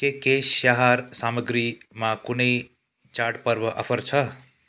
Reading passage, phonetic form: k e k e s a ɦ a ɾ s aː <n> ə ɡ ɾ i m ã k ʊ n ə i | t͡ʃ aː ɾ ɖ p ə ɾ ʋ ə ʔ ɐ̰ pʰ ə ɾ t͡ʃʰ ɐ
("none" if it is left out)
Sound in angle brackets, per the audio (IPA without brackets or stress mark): m